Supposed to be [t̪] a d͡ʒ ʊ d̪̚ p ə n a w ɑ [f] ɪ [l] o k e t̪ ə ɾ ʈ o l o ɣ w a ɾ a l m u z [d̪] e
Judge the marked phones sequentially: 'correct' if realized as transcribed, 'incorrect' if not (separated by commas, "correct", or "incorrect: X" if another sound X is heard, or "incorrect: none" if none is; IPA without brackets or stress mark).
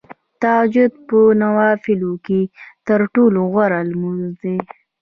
correct, correct, correct, correct